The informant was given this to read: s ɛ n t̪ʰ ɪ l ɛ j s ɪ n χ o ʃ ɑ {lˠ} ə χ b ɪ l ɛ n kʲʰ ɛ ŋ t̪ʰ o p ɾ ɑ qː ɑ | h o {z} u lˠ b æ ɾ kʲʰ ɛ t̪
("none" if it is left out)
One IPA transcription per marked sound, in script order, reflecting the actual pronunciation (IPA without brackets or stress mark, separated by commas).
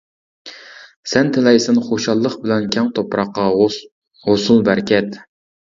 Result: lˠː, s